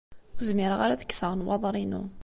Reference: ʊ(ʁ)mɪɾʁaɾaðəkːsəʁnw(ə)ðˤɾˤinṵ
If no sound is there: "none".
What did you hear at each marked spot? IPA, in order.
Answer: z, ɑ

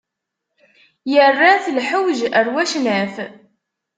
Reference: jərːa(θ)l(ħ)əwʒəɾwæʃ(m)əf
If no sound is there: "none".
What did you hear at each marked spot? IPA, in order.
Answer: θ, ħ, n

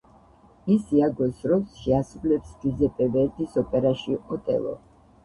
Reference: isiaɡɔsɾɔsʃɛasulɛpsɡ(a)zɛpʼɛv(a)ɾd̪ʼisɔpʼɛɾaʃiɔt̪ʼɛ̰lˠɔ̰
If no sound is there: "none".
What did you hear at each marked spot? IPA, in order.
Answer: i, ɛ

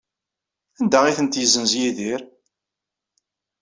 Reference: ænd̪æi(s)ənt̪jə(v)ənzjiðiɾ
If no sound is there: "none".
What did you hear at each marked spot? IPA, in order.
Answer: θ, z

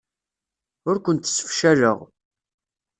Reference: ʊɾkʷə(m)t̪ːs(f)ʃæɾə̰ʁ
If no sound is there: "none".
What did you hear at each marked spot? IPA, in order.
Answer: n, f

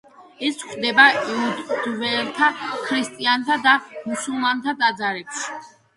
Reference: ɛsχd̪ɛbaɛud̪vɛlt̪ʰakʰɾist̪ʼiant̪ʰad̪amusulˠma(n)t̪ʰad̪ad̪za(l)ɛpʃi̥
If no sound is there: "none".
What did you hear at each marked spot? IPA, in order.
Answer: n, ɾ

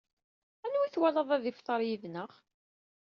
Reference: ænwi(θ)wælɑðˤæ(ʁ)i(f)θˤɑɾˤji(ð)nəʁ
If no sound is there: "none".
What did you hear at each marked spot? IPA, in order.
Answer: θ, ð, f, ð

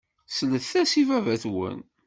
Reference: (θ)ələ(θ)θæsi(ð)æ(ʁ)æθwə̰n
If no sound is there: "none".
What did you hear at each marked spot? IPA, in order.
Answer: s, θ, v, v

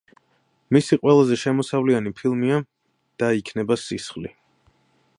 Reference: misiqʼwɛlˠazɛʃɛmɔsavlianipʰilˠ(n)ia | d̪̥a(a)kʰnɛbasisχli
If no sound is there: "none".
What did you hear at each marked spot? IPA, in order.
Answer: m, i

